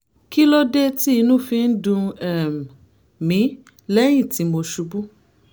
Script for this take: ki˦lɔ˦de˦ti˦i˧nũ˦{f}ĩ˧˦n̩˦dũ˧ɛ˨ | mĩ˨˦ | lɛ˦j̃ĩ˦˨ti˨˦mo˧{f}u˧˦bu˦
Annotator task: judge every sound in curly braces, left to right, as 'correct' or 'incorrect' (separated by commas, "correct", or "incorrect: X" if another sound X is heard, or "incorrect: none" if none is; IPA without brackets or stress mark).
correct, incorrect: ʃ